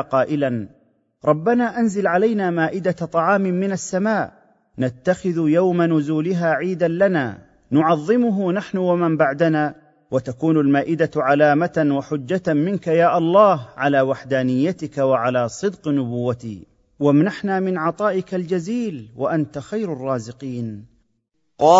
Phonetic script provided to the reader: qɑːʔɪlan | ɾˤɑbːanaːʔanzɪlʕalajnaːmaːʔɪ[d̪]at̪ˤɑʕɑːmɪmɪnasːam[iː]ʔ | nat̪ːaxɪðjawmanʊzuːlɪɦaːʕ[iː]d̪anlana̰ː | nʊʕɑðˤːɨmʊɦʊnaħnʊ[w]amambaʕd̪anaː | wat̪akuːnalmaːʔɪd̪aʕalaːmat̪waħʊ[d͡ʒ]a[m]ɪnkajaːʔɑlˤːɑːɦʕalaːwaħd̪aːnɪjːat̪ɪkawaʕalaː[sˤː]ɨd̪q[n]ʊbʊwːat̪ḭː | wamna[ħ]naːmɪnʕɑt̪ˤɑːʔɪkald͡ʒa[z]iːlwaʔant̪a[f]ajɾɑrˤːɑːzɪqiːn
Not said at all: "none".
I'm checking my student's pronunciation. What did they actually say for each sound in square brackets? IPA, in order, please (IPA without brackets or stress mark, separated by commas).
d̪, aː, iː, w, d͡ʒː, m, sˤ, n, ħ, z, x